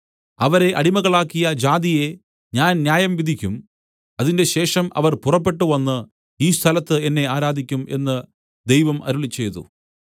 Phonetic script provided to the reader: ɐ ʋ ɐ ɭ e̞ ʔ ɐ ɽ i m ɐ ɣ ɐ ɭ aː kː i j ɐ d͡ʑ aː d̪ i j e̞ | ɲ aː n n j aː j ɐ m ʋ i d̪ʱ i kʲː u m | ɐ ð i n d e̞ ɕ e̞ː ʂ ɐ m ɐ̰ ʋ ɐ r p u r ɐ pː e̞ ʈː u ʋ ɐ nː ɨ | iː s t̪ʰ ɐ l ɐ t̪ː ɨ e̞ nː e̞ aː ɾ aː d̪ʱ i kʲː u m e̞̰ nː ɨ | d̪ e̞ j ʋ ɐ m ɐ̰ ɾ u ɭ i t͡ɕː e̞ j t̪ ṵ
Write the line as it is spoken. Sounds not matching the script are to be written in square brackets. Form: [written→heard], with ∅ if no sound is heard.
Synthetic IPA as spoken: ɐ ʋ ɐ [ɭ→ɾ] e̞ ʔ ɐ ɽ i m ɐ ɣ ɐ ɭ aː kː i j ɐ d͡ʑ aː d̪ i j e̞ | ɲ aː n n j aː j ɐ m ʋ i d̪ʱ i kʲː u m | ɐ ð i n d e̞ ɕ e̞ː ʂ ɐ m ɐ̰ ʋ ɐ r p u r ɐ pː e̞ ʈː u ʋ ɐ nː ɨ | iː s t̪ʰ ɐ l ɐ t̪ː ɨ e̞ nː e̞ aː ɾ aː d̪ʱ i kʲː u m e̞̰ nː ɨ | d̪ e̞ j ʋ ɐ m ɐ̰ ɾ u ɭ i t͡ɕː e̞ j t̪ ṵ